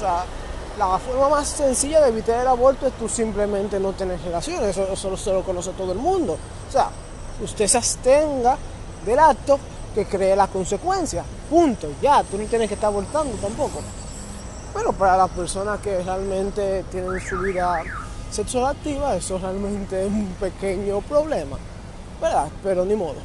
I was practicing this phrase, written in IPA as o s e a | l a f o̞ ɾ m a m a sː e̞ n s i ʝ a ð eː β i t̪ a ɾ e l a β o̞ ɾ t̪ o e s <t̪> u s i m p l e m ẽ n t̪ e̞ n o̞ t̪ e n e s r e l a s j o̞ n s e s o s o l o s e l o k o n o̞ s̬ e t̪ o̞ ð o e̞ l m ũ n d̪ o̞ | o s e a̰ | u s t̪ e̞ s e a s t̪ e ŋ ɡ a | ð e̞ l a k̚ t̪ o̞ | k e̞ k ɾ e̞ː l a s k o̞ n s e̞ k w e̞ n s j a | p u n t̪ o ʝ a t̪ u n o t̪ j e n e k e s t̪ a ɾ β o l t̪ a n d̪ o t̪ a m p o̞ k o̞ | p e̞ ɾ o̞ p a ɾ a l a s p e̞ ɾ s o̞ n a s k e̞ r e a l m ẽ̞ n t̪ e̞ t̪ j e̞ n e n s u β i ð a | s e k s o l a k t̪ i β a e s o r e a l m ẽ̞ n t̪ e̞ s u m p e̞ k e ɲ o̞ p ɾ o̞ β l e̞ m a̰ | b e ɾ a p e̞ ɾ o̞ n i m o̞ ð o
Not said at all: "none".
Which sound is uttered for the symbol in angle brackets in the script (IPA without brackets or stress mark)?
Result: t̪